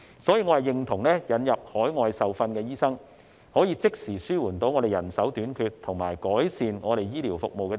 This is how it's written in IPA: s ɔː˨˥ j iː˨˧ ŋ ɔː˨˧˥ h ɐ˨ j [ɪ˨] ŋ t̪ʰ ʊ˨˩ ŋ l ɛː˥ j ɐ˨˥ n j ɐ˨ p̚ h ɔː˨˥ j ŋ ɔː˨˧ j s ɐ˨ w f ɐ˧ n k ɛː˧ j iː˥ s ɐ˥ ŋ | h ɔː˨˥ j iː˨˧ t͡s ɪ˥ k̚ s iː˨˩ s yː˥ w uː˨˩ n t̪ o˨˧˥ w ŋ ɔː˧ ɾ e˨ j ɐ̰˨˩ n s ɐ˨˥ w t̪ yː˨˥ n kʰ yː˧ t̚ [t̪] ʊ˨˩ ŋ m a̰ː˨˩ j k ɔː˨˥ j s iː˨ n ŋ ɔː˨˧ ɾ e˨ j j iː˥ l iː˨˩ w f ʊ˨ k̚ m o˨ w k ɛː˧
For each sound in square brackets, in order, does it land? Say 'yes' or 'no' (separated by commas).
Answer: yes, no